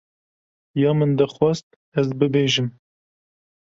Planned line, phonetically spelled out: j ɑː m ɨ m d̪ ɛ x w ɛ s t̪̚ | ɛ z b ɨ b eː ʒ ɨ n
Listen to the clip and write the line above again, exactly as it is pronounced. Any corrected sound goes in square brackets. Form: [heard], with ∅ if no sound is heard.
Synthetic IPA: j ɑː m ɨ [n] d̪ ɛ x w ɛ s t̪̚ | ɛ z b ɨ b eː ʒ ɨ [m]